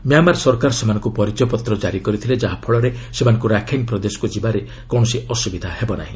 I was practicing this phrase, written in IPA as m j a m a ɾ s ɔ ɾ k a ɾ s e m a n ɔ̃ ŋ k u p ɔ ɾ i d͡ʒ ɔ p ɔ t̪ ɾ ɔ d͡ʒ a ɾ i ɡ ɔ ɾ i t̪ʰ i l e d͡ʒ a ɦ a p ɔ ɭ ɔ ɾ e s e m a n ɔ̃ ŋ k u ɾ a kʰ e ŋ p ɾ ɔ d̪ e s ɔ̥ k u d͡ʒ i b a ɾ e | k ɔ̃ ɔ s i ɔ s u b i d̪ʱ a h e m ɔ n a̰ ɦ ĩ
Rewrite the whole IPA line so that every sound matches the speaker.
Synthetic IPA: m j a m a ɾ s ɔ ɾ k a ɾ s e m a n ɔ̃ ŋ k u p ɔ ɾ i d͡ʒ ɔ p ɔ t̪ ɾ ɔ d͡ʒ a ɾ i k ɔ ɾ i t̪ʰ i l e d͡ʒ a ɦ a pʰ ɔ ɭ ɔ ɾ e s e m a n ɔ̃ ŋ k u ɾ a kʰ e ŋ p ɾ ɔ d̪ e s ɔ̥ k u d͡ʒ i b a ɾ e | k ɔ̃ ɔ s i ɔ s u b i d̪ʱ a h e b ɔ n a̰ ɦ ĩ